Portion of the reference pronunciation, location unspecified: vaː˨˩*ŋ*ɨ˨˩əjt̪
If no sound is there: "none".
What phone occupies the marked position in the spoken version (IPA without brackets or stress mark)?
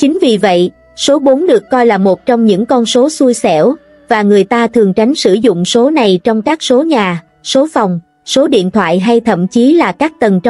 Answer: ŋ